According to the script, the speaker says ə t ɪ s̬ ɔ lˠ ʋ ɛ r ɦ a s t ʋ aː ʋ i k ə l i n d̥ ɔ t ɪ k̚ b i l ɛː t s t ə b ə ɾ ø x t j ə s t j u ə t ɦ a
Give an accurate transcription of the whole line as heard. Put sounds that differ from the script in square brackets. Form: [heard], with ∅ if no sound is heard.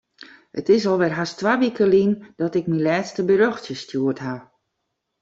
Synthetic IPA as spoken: ə t ɪ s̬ ɔ lˠ ʋ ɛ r ɦ a s t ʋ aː ʋ i k ə l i n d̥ ɔ t ɪ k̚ [m] i l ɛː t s t ə b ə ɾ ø x t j ə s t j u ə t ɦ a